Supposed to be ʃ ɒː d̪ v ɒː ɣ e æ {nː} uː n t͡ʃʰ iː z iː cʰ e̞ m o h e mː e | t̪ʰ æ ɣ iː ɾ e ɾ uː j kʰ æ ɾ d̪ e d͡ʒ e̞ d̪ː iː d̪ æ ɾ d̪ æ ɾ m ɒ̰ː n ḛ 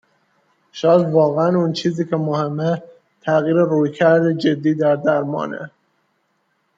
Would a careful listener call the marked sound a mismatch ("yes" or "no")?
yes